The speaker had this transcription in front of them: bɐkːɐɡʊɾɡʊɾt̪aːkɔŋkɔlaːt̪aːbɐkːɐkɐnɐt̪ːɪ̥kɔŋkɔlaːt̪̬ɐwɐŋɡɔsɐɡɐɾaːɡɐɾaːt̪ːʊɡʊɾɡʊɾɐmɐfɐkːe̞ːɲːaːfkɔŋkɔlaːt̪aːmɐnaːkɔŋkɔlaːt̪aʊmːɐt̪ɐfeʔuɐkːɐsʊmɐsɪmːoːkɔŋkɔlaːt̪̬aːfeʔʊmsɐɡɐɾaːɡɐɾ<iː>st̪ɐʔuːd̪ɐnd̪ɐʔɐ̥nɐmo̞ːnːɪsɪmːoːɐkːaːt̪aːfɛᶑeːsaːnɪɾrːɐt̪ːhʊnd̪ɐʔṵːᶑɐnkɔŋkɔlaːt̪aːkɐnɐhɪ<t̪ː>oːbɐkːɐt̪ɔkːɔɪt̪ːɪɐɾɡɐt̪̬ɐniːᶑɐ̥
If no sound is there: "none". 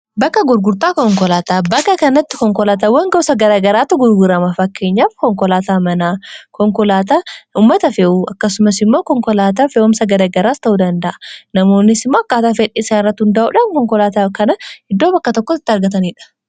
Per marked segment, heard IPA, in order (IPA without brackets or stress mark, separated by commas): aː, d̪ː